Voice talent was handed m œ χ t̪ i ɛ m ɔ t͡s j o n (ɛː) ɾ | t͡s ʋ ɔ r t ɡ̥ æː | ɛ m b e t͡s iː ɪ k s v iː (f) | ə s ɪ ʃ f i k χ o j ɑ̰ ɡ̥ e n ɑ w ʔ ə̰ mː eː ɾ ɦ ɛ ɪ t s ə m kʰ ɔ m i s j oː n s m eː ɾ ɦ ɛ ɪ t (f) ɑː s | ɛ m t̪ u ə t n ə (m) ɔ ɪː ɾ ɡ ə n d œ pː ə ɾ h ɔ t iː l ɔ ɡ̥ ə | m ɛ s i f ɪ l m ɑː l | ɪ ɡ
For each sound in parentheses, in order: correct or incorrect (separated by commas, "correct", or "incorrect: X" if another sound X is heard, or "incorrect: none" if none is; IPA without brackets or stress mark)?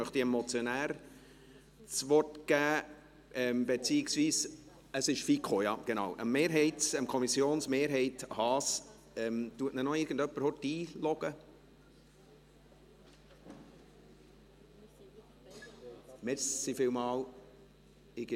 incorrect: æː, incorrect: s, incorrect: h, incorrect: n